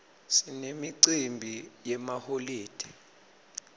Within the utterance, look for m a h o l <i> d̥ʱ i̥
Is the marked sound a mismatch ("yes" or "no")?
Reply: yes